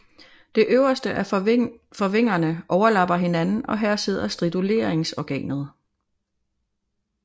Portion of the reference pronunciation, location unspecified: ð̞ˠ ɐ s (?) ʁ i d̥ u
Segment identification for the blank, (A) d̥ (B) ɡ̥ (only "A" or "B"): A